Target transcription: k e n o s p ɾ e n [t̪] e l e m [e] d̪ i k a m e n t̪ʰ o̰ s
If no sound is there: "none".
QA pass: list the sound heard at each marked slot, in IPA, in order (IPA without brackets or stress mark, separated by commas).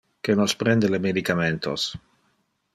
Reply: d̪, e